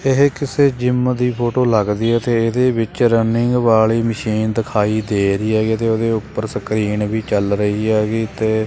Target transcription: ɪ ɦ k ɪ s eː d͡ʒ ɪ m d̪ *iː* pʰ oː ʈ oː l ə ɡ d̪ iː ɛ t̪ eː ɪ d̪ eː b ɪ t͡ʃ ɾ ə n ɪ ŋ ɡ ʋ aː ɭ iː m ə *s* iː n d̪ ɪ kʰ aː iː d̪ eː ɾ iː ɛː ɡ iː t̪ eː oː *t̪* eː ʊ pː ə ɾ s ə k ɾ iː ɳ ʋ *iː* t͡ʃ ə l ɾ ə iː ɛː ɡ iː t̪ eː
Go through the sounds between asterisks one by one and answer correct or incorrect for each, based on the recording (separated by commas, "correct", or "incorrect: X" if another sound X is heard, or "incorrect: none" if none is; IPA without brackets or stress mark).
correct, incorrect: ʃ, incorrect: d̪, correct